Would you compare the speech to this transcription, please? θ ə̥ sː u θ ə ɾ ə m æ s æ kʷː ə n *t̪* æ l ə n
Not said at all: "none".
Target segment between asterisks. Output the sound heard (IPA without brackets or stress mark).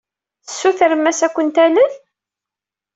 t̪